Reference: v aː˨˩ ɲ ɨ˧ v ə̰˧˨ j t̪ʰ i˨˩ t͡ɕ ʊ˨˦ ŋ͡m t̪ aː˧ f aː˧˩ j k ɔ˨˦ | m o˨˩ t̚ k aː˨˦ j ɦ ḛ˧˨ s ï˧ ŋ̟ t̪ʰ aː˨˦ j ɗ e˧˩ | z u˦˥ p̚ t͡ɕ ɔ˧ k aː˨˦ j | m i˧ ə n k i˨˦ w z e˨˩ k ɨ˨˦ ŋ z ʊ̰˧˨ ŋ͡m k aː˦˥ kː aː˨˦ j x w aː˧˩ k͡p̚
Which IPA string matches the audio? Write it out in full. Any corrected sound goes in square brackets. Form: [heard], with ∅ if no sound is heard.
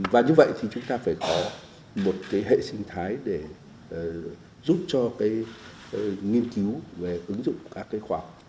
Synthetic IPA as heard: v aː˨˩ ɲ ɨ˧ v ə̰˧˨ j t̪ʰ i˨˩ t͡ɕ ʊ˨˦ ŋ͡m t̪ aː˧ f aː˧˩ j k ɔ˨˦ | m o˨˩ t̚ k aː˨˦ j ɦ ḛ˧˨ s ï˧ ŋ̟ t̪ʰ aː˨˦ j ɗ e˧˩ | z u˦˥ p̚ t͡ɕ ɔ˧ k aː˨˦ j | [ŋ] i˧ ə n k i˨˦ w [v] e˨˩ [ʔ] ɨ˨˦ ŋ z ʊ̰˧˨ ŋ͡m k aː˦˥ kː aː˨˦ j x w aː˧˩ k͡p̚